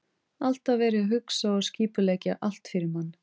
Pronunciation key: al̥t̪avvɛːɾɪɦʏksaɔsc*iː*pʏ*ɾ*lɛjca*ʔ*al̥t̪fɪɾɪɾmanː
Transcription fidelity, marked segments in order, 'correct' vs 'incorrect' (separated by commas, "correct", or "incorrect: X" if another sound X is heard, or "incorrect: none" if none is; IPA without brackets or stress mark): correct, incorrect: none, correct